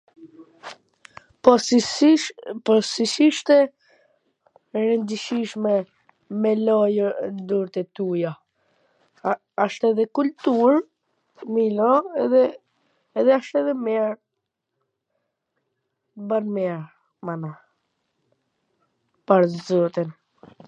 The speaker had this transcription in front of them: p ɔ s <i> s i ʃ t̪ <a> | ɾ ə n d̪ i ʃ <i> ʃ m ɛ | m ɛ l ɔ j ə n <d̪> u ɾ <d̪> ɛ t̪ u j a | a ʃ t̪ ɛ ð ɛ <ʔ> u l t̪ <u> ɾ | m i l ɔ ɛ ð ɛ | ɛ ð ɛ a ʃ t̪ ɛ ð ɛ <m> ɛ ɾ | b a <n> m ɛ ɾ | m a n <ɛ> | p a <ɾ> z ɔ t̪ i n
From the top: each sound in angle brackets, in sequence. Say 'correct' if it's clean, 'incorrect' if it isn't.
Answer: correct, incorrect: ɛ, correct, correct, incorrect: t̪, incorrect: k, correct, correct, correct, incorrect: a, correct

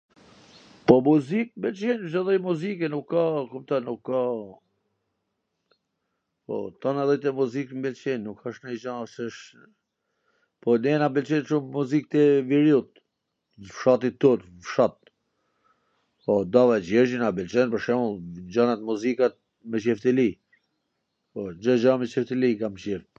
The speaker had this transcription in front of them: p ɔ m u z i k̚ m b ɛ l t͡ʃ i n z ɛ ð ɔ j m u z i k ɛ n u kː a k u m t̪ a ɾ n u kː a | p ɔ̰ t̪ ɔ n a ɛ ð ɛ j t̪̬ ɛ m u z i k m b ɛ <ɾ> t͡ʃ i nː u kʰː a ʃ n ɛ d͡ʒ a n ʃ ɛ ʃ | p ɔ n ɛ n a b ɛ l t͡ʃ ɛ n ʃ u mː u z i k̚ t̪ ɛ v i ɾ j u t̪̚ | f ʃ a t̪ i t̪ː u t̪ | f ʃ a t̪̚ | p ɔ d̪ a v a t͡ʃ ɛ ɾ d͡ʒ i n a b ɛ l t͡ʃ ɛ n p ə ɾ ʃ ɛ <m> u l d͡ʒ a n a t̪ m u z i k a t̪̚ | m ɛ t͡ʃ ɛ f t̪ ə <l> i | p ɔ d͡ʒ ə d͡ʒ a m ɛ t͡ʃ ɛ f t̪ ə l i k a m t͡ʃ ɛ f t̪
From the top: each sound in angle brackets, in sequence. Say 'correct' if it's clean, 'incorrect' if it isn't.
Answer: incorrect: l, correct, correct

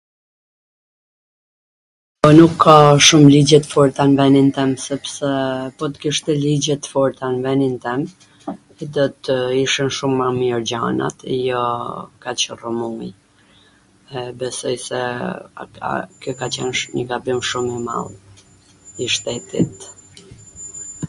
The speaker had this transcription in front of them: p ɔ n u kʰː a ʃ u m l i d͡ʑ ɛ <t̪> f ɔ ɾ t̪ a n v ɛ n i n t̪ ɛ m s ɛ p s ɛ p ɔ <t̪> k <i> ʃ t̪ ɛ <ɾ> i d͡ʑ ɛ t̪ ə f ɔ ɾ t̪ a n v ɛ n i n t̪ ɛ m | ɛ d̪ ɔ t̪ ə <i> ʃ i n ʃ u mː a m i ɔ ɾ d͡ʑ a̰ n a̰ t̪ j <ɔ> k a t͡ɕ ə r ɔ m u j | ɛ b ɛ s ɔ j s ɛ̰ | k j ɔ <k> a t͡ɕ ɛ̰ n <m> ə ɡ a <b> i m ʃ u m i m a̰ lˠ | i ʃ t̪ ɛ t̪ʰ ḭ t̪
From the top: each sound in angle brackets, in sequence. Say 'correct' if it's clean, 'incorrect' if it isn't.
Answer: correct, correct, correct, incorrect: l, correct, correct, correct, incorrect: ɲ, correct

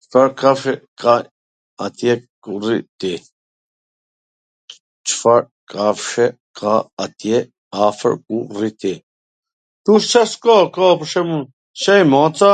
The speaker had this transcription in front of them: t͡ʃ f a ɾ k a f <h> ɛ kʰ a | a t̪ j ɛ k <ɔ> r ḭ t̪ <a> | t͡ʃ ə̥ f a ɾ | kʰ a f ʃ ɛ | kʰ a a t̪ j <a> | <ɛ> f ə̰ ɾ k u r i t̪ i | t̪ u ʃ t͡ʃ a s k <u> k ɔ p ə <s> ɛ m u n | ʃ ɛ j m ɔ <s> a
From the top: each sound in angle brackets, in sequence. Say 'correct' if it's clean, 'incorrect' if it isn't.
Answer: incorrect: ʃ, incorrect: u, incorrect: i, incorrect: ɛ, incorrect: a, incorrect: ɔ, incorrect: ʃ, incorrect: t͡s

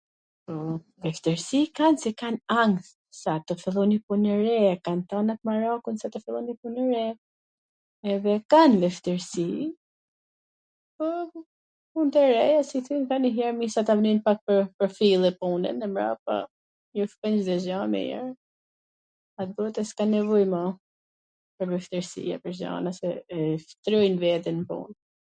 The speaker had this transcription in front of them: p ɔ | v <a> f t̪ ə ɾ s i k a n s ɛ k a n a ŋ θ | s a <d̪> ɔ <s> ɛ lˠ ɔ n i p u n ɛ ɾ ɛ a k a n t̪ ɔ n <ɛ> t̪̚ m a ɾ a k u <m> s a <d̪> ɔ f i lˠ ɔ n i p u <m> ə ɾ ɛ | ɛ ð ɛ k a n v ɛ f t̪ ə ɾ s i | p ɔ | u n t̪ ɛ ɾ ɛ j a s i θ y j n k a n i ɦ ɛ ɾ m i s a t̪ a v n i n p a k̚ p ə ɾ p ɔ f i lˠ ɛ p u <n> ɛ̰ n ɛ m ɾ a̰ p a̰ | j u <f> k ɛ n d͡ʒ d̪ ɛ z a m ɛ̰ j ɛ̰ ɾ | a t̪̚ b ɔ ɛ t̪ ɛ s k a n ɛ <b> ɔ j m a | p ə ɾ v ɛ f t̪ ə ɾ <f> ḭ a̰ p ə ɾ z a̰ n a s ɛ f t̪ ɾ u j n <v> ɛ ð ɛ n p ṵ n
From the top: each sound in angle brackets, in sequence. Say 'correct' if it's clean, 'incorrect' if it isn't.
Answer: incorrect: ɛ, incorrect: t̪, incorrect: f, incorrect: a, incorrect: n, incorrect: t̪, incorrect: n, correct, correct, incorrect: v, incorrect: s, correct

